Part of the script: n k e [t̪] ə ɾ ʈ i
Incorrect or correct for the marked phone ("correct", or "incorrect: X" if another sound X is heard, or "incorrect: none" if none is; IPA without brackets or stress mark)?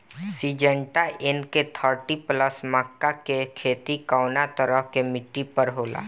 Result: incorrect: t̪ʰ